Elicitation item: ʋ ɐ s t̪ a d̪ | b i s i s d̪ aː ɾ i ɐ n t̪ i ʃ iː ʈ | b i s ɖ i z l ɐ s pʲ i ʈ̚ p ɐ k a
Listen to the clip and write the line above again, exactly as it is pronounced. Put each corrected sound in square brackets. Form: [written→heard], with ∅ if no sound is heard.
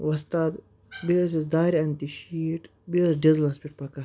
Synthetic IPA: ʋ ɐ s t̪ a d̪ | b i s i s d̪ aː ɾ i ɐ n t̪ i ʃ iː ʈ | b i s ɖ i z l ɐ s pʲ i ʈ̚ p ɐ k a